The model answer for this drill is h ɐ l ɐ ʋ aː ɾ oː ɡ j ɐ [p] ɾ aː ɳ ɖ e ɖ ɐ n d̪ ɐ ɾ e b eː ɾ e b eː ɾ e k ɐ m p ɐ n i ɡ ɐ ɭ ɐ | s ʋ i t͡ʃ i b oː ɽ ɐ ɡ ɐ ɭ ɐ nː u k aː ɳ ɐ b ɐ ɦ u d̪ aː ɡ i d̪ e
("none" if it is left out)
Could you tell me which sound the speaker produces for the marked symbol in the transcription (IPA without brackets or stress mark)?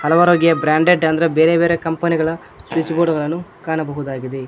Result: b